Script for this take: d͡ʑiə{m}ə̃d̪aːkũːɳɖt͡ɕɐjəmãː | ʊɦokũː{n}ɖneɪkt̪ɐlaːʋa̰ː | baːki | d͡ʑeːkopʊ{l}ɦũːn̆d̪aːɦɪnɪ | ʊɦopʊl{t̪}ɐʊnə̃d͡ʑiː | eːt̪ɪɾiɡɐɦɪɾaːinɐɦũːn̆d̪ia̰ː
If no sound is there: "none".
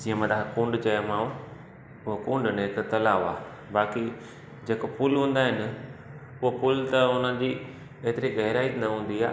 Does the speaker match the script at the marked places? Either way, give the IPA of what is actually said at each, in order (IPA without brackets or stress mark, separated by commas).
m, ɳ, l, t̪